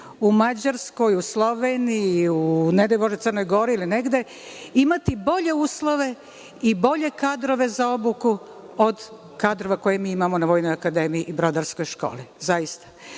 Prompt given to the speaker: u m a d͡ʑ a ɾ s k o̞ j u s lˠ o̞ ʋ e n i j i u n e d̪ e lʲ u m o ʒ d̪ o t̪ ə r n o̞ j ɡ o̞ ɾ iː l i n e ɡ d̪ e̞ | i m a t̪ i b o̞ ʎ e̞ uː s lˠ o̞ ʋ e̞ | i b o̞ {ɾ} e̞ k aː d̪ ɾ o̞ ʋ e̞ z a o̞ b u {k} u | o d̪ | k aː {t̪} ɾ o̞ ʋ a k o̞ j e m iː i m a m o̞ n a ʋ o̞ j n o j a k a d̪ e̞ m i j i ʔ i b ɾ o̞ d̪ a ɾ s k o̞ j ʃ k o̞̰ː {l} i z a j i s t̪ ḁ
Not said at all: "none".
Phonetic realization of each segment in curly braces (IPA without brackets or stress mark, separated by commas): ʎ, k, d̪, l